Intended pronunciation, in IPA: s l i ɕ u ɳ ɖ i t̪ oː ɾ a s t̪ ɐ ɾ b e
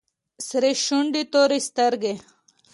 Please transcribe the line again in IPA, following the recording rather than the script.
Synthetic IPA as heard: s ɾ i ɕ u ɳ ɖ i t̪ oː ɾ i s t̪ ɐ ɾ ɡ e